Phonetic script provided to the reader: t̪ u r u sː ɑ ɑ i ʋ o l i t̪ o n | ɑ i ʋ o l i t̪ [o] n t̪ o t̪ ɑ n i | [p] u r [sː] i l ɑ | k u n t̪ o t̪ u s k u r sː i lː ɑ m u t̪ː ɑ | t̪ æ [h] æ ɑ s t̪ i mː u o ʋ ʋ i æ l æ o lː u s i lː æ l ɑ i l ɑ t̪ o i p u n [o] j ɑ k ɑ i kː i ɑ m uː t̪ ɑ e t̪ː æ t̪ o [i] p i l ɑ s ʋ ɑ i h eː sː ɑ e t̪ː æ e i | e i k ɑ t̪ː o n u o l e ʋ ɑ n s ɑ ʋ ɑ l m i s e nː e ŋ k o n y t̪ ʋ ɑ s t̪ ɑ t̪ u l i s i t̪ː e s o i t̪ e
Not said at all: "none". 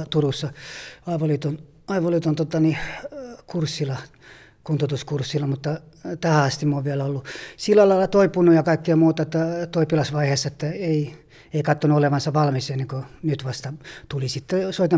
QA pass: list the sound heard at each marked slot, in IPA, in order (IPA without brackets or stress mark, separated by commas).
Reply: o, k, sː, h, u, i